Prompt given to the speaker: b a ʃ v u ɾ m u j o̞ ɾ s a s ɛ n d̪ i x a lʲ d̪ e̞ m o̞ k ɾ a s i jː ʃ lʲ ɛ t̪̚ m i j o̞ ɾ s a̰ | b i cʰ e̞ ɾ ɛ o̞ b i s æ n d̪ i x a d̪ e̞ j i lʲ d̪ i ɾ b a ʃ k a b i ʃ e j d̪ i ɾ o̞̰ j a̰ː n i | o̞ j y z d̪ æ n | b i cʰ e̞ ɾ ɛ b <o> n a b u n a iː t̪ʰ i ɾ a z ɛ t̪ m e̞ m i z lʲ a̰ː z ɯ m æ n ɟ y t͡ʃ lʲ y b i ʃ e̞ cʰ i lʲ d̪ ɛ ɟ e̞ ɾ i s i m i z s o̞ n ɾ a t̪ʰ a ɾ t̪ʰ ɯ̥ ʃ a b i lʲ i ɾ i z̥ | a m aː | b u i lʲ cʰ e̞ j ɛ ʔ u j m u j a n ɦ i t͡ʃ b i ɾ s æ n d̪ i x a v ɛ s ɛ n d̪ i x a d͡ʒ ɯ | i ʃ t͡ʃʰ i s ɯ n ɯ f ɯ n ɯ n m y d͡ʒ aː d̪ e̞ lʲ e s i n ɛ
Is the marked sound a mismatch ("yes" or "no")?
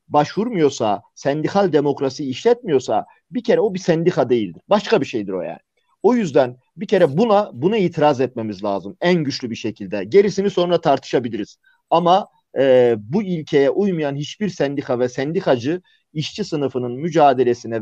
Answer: yes